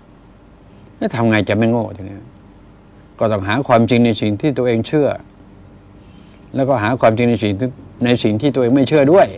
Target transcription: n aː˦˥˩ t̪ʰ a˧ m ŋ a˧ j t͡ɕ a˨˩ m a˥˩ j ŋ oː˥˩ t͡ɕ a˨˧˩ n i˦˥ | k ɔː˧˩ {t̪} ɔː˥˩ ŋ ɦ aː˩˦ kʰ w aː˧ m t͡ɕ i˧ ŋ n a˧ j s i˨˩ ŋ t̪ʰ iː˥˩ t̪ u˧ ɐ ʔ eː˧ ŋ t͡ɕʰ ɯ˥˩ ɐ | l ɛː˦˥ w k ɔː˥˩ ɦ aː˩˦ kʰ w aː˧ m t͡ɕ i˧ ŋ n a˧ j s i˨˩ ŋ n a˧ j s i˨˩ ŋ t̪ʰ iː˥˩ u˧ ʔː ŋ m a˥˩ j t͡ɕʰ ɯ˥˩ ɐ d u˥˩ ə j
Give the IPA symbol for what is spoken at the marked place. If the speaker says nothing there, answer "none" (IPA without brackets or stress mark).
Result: t̪